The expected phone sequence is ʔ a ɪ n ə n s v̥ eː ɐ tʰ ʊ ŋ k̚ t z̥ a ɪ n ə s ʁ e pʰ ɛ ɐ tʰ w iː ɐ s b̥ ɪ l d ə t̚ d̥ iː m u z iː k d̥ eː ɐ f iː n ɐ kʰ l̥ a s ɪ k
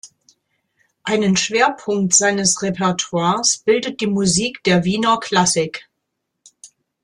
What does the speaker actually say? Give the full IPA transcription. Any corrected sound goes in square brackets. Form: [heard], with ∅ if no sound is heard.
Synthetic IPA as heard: ʔ a ɪ n ə n [ʃ] v̥ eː ɐ [pʰ] ʊ ŋ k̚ t z̥ a ɪ n ə s ʁ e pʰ ɛ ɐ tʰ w [aː] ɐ s b̥ ɪ l d ə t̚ d̥ iː m u z iː k d̥ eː ɐ [v] iː n ɐ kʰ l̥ a s ɪ k